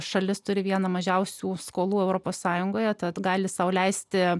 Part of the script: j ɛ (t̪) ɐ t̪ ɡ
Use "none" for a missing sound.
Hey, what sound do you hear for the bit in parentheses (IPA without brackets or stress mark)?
t̪